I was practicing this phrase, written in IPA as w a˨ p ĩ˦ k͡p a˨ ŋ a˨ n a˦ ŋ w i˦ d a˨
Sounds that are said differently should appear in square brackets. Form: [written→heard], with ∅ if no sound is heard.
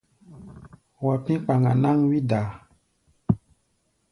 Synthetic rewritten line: w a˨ p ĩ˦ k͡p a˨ ŋ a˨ n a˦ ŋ w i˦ d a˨